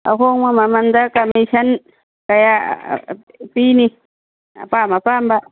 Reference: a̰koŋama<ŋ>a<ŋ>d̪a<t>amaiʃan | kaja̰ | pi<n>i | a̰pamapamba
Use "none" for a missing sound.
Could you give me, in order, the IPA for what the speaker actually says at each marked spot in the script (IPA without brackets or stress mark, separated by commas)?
m, n, k, n